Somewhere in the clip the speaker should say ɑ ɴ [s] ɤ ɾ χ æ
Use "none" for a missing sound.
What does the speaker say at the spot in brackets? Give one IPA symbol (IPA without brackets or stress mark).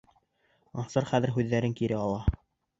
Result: s